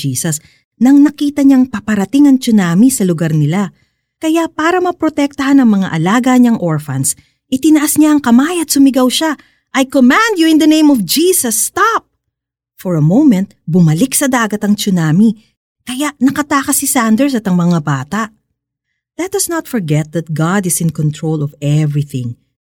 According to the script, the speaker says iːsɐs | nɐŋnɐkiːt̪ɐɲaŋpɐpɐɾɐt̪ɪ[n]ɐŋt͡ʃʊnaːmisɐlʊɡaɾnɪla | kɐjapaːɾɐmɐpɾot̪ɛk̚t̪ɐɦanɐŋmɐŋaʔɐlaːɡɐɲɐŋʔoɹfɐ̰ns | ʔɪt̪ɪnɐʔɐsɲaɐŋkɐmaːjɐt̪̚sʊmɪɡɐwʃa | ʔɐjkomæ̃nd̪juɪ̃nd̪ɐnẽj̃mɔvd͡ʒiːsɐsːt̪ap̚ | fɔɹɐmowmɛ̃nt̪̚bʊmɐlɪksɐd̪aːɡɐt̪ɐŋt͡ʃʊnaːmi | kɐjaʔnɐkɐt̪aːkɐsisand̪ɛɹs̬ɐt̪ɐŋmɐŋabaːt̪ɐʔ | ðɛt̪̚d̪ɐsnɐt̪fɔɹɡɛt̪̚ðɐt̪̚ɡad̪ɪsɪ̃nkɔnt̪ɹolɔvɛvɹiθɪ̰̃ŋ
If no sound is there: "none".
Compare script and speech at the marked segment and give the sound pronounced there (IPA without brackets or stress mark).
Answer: ŋ